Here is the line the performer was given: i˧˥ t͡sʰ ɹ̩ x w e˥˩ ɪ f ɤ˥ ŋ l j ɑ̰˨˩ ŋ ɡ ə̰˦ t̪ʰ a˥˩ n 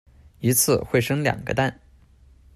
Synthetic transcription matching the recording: i˧˥ t͡sʰ ɹ̩ x w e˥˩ ɪ ʂ ɤ˥ ŋ l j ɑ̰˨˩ ŋ ɡ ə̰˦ t̪ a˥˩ n